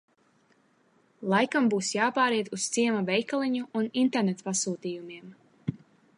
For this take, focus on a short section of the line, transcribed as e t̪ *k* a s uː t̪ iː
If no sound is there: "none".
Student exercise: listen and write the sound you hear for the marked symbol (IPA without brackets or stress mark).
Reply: p